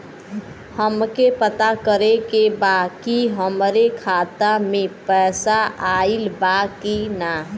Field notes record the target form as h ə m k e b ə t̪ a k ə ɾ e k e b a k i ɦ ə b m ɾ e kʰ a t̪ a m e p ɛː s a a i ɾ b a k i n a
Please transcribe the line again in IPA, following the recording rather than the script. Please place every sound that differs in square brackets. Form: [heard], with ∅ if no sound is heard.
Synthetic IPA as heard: h ə m k e [p] ə t̪ a k ə ɾ e k e b a k i ɦ ə [∅] m ɾ e kʰ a t̪ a m e p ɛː s a a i [l] b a k i n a

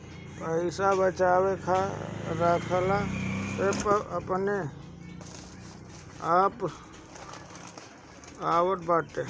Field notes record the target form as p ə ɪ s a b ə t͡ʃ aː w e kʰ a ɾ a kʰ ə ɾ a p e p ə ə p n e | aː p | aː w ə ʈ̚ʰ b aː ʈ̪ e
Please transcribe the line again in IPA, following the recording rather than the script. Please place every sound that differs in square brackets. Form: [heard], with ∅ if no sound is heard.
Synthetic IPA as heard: p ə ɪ s a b ə t͡ʃ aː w e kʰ a ɾ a kʰ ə [l] a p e p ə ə p n e | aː p | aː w ə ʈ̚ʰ b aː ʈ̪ e

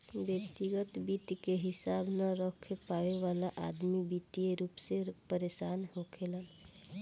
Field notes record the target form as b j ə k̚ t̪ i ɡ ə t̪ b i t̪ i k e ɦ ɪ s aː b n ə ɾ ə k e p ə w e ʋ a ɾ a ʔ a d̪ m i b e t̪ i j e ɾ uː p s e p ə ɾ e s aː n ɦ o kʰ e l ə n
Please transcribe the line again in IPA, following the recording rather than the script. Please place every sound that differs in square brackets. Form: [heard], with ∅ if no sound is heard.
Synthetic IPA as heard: b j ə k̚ t̪ i ɡ ə t̪ b i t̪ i k e ɦ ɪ s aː b n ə ɾ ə [kʰ] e p [a] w e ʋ a [l] a ʔ a d̪ m i b [i] t̪ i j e ɾ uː p s e p ə ɾ e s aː n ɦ o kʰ e l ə n

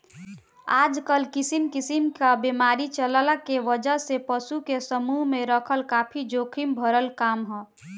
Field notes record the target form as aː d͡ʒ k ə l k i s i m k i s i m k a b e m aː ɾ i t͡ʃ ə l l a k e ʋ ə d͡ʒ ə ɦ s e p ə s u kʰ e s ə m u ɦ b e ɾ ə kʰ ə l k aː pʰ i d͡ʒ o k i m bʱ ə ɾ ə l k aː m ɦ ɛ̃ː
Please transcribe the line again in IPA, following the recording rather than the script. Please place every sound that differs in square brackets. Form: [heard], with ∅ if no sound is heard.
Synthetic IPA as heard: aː d͡ʒ k ə l k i s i m k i s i m k a b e m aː ɾ i t͡ʃ ə l l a k e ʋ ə d͡ʒ ə ɦ s e p ə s u [k] e s ə m u ɦ [m] e ɾ ə kʰ ə l k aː pʰ i d͡ʒ o [kʰ] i m bʱ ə ɾ ə l k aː m ɦ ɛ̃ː

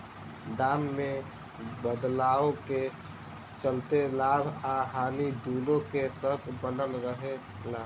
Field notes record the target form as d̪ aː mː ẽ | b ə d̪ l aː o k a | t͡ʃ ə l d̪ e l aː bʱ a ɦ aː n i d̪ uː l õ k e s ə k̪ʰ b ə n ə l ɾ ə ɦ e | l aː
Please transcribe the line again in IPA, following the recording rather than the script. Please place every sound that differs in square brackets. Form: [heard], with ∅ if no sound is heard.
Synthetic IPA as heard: d̪ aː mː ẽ | b ə d̪ l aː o k [e] | t͡ʃ ə l [t̪] e l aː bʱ a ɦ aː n i d̪ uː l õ k e s ə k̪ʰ b ə n ə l ɾ ə ɦ e | l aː

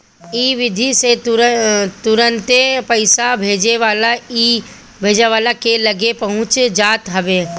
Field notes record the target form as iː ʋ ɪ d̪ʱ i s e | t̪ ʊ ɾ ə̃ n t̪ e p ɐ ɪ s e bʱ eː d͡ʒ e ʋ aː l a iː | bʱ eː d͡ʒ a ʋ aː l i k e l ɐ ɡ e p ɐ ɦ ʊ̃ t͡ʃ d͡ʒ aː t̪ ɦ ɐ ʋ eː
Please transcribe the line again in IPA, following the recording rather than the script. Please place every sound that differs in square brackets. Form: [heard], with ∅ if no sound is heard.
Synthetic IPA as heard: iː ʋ ɪ d̪ʱ i s e | t̪ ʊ ɾ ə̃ n t̪ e p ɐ ɪ s [a] bʱ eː d͡ʒ e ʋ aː l a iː | bʱ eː d͡ʒ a ʋ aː l [a] k e l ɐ ɡ e p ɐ ɦ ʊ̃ t͡ʃ d͡ʒ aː t̪ ɦ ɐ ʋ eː

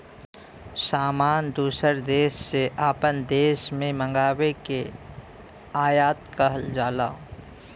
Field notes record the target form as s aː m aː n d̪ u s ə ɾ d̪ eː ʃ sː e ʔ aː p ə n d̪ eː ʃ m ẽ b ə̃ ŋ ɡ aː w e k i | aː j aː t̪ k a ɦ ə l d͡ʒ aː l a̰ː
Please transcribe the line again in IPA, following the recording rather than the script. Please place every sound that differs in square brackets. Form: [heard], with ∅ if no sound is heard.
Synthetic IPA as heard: s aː m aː n d̪ [uː] s ə ɾ d̪ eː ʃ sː e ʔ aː p ə n d̪ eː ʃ m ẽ [m] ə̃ ŋ ɡ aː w e k [e] | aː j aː t̪ k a ɦ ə l d͡ʒ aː l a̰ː

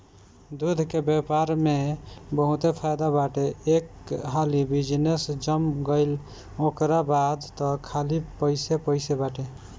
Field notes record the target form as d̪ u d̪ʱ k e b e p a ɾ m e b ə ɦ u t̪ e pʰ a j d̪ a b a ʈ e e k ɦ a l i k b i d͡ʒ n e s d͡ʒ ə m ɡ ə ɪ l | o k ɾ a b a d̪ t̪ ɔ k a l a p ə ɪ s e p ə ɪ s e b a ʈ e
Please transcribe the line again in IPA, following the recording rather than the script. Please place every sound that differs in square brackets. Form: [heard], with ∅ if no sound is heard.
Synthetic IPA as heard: d̪ u d̪ʱ k e b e p a ɾ m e b ə ɦ u t̪ e pʰ a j d̪ a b a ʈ e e k ɦ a l i [∅] b i d͡ʒ n e s d͡ʒ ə m ɡ ə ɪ l | o k ɾ a b a d̪ t̪ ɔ [kʰ] a l [i] p ə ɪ s e p ə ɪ s e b a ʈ e

